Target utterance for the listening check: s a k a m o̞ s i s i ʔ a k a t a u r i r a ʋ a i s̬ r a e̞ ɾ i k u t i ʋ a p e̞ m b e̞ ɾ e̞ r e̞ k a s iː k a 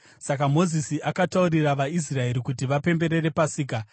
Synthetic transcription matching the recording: s a k a m o̞ z i s i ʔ a k a t a u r i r a ʋ a i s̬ r a e̞ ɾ i k u t i ʋ a p e̞ m b e̞ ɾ e̞ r e̞ p a s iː k a